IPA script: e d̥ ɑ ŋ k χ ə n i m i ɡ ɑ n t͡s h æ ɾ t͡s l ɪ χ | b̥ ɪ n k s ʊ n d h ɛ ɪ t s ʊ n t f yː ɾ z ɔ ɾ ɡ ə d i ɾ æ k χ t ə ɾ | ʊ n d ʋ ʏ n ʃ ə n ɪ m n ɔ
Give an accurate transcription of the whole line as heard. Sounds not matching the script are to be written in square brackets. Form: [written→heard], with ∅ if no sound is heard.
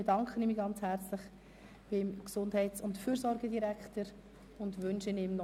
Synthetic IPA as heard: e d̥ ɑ ŋ k χ ə n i m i ɡ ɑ n t͡s h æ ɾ t͡s l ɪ χ | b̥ ɪ [n→m] k s ʊ n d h ɛ ɪ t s ʊ n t f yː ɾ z ɔ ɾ ɡ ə d i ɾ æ k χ t ə ɾ | ʊ n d ʋ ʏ n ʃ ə n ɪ m n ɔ